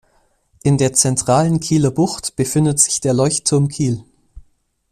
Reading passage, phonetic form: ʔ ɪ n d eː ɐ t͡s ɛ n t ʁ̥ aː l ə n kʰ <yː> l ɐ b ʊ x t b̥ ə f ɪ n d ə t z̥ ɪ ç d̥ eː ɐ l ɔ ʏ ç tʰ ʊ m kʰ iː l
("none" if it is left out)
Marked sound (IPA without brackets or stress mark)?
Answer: iː